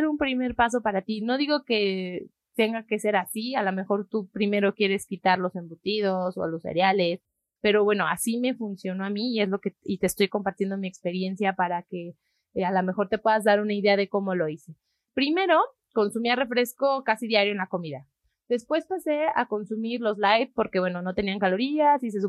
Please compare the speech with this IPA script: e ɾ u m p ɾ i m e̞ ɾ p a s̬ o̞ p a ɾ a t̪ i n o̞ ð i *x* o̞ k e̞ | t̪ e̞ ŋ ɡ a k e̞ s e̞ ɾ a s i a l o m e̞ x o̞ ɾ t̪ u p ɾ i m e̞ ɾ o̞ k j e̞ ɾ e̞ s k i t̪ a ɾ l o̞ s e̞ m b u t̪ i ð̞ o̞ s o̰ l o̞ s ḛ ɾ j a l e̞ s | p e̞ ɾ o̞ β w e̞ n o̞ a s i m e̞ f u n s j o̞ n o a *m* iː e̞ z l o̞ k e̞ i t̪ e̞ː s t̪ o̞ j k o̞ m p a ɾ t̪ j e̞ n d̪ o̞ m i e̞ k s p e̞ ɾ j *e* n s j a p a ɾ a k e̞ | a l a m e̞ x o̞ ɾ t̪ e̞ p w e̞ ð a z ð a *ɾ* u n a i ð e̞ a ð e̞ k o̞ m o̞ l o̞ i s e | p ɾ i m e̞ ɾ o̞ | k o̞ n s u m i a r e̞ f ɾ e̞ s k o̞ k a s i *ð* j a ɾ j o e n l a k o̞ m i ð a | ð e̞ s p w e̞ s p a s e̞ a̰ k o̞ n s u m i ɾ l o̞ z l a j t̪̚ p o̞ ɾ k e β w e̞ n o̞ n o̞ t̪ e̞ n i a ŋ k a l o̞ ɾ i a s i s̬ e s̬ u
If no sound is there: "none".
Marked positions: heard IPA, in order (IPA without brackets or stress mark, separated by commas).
ɣ, m, e, ɾ, ð